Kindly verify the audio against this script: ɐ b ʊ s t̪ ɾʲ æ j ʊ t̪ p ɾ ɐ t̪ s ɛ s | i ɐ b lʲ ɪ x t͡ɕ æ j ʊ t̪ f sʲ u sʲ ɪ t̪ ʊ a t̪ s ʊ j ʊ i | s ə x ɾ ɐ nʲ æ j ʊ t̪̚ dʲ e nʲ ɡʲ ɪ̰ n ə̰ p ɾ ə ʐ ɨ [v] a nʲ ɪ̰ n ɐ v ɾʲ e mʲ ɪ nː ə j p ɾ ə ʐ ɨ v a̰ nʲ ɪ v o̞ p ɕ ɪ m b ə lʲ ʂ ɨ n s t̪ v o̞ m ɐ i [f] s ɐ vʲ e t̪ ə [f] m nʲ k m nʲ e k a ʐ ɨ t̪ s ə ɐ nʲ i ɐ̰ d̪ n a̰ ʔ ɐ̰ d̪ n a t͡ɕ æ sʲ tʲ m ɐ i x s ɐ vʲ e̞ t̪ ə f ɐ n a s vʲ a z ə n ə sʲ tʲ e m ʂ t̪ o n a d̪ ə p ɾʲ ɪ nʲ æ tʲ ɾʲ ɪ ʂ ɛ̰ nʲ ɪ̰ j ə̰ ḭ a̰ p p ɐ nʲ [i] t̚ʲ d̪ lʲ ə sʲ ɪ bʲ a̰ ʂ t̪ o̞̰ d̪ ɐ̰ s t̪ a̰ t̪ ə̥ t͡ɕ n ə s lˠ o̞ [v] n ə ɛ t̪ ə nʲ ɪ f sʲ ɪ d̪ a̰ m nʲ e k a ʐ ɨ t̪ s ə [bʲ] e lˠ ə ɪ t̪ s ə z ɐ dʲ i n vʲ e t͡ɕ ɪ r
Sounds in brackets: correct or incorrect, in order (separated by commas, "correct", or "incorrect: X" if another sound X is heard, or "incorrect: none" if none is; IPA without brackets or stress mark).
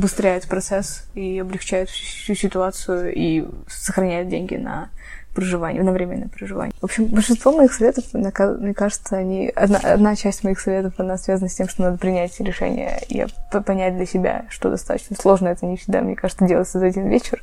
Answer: correct, incorrect: x, correct, incorrect: æ, incorrect: ʐ, incorrect: dʲ